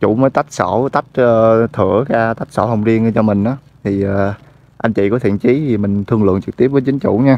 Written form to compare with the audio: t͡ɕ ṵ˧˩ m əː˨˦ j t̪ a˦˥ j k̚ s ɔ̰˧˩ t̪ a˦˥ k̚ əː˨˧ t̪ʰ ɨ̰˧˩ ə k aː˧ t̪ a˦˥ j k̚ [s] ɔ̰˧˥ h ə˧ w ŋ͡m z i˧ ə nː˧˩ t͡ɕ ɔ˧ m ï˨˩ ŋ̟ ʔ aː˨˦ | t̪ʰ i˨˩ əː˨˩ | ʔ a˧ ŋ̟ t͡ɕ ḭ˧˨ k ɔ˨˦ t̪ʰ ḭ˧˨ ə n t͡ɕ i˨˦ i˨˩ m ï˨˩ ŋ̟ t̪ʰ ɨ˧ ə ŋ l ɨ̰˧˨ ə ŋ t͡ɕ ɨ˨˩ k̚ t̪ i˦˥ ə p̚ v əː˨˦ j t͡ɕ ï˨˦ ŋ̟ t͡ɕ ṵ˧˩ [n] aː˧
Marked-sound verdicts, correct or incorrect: correct, incorrect: ɲ

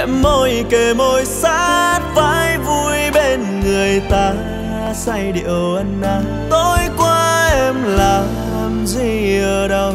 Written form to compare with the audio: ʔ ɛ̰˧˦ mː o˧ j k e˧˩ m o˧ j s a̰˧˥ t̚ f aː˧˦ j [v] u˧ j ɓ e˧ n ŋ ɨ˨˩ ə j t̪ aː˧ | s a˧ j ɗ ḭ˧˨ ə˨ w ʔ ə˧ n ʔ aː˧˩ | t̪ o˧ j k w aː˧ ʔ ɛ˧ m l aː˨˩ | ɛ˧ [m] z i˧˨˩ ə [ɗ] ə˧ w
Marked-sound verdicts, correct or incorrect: correct, correct, correct

